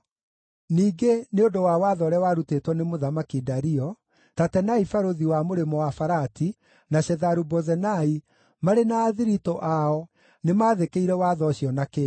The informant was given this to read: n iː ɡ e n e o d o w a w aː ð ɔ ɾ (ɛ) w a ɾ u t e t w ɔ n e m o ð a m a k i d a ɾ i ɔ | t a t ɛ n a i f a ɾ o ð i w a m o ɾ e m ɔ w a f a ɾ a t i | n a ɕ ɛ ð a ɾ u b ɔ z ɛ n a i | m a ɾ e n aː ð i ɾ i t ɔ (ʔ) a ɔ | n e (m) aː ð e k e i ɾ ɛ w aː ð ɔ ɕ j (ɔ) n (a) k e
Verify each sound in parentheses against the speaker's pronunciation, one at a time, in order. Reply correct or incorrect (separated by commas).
correct, correct, correct, correct, correct